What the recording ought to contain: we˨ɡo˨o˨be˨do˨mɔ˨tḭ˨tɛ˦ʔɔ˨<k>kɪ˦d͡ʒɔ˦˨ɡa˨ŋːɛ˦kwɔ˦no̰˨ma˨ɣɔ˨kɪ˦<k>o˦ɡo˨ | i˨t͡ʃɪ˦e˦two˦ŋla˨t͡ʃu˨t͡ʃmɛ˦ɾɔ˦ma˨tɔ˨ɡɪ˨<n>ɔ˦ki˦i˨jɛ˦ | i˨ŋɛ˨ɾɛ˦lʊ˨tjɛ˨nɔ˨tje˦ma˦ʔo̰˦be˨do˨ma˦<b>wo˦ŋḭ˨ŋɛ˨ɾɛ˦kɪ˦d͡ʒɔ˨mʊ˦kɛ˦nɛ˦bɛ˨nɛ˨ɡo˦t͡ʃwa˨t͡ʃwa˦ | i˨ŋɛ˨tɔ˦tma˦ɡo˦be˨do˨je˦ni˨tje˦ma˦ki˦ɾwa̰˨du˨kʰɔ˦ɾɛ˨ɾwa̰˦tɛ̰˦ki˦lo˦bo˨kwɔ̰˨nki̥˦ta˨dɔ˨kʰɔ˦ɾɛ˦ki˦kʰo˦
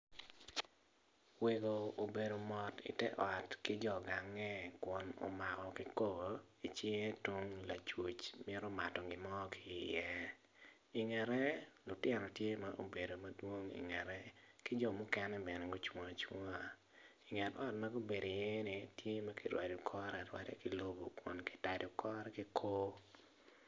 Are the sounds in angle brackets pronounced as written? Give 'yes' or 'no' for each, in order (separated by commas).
no, yes, no, no